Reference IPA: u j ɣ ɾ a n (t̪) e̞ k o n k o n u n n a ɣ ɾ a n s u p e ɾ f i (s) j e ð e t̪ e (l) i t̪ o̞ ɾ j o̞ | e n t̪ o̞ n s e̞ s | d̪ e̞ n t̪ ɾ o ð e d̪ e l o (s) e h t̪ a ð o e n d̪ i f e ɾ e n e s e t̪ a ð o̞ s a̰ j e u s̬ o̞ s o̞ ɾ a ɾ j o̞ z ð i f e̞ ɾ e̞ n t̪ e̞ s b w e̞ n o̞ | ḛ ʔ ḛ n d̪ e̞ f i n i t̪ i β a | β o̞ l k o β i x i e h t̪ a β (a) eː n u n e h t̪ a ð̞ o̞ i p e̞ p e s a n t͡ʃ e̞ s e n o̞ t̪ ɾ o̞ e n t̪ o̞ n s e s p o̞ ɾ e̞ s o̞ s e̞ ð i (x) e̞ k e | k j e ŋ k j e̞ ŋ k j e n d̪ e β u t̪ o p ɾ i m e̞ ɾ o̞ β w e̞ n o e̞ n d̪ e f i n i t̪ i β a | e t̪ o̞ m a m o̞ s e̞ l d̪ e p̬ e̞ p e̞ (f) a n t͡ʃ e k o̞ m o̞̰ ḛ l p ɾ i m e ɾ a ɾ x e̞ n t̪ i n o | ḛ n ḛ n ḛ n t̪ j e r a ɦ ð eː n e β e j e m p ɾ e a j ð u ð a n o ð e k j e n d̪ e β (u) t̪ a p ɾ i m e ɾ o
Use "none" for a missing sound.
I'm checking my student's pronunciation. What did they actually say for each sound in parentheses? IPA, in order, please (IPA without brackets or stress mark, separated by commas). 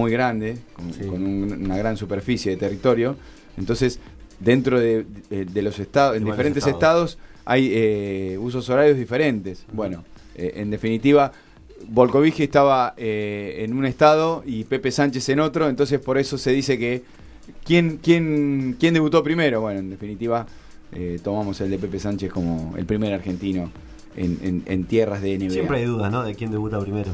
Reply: d̪, s, r, s, a, s, s, u